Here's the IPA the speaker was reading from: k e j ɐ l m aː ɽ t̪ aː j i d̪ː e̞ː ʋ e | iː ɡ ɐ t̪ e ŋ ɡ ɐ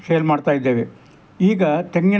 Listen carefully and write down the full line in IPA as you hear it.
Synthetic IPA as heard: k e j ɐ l m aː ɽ t̪ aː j i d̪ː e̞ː ʋ e | iː ɡ ɐ t̪ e ŋ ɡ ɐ